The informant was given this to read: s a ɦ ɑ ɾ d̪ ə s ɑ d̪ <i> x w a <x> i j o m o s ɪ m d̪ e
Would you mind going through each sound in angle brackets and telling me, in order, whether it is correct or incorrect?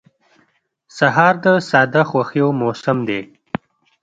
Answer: incorrect, correct

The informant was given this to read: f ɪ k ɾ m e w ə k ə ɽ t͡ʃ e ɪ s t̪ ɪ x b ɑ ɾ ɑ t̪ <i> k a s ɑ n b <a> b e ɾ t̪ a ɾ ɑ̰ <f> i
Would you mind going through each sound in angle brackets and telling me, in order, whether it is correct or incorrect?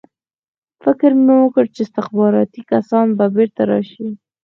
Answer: correct, correct, incorrect

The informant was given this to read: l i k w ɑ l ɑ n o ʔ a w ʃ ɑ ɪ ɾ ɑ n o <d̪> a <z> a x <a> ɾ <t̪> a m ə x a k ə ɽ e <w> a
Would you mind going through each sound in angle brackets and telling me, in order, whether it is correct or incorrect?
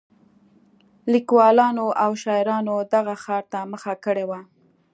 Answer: correct, incorrect, incorrect, correct, correct

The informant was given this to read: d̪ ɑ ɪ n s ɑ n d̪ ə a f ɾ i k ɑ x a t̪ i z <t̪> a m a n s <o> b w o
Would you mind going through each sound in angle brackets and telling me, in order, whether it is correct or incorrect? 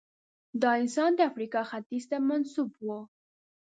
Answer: correct, incorrect

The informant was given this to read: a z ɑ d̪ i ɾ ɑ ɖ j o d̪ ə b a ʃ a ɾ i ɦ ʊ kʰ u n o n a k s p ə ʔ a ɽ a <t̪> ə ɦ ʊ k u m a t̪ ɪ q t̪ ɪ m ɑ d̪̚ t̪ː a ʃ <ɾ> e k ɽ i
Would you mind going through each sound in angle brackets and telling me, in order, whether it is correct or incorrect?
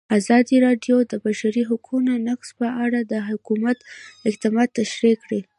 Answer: incorrect, correct

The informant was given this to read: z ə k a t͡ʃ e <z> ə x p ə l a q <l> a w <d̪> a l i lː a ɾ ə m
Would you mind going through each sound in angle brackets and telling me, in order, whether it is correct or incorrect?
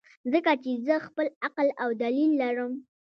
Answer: correct, correct, correct

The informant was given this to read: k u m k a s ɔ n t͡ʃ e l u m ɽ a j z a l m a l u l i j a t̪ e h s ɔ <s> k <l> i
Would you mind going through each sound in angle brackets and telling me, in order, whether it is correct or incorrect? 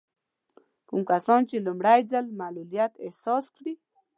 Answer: correct, incorrect

